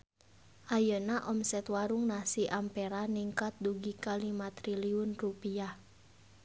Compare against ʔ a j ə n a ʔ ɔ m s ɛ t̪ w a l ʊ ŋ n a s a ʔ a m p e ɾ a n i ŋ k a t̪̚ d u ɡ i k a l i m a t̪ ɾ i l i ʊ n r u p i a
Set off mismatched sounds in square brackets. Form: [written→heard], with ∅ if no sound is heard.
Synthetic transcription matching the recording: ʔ a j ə n a ʔ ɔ m s ɛ t̪ w a [l→ɾ] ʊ ŋ n a s [a→i] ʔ a m p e ɾ a n i ŋ k a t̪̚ d u ɡ i k a l i m a t̪ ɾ i l i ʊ n r u p i a